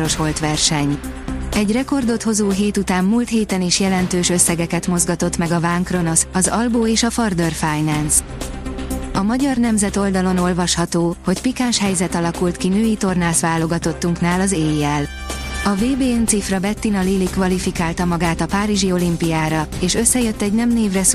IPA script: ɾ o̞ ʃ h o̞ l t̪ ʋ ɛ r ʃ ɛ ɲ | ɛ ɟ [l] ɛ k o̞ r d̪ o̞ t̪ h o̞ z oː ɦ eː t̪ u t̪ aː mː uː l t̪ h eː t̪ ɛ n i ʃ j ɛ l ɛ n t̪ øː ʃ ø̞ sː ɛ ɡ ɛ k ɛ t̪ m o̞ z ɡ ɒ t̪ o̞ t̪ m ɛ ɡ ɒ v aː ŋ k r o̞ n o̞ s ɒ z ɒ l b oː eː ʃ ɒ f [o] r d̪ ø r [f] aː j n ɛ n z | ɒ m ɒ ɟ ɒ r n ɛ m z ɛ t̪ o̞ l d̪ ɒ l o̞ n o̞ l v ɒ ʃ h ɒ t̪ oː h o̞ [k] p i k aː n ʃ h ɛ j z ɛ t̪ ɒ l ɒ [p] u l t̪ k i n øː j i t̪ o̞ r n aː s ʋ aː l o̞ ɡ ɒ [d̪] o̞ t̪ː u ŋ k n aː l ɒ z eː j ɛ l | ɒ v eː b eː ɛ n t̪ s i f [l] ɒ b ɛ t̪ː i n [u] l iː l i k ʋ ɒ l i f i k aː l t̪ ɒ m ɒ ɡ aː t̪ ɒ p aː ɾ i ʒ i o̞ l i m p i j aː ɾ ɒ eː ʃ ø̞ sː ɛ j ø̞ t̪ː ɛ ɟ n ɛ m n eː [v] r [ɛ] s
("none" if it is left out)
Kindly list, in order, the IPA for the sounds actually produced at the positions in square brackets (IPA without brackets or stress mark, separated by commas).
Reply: r, ɒ, f, c, k, t̪, r, ɒ, v, ɛ